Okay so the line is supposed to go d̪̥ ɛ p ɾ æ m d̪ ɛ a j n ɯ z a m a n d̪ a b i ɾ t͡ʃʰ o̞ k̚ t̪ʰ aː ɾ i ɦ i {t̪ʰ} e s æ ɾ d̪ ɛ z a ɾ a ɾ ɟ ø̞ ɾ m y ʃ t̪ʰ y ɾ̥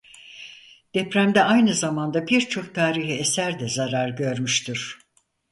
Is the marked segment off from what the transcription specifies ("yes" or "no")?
yes